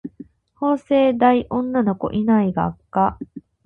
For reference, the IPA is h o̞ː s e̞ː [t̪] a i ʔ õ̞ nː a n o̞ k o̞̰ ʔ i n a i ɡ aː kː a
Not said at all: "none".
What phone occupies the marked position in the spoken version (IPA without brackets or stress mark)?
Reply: d̪